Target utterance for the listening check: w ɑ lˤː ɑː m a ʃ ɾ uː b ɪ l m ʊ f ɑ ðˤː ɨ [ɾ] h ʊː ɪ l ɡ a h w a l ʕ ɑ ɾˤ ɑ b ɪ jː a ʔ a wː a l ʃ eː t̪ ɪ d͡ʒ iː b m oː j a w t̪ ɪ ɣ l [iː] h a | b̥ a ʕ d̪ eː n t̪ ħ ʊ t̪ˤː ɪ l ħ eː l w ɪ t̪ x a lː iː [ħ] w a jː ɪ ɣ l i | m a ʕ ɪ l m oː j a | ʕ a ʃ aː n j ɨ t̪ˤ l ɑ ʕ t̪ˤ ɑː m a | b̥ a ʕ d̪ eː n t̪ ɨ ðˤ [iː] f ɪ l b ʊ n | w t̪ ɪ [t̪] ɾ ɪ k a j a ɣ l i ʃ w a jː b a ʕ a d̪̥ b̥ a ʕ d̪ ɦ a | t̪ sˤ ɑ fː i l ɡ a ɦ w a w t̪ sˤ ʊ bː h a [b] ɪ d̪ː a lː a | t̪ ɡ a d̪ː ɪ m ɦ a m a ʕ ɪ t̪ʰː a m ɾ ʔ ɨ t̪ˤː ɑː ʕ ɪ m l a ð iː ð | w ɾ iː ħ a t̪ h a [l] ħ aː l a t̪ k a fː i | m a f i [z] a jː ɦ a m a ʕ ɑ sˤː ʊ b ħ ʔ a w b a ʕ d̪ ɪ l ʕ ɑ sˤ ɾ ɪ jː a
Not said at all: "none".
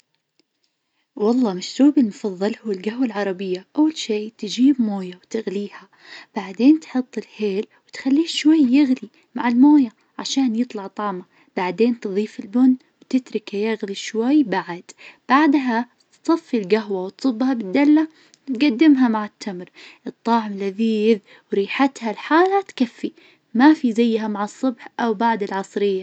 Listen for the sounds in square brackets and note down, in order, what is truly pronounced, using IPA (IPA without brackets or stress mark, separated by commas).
l, iː, ʃ, iː, t̪, b, l, z